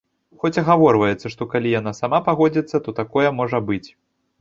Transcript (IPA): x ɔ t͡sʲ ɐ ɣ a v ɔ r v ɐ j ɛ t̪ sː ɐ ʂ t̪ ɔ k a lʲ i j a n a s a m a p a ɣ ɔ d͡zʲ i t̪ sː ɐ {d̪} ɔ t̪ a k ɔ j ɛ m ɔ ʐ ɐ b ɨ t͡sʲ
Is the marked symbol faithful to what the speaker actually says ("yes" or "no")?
no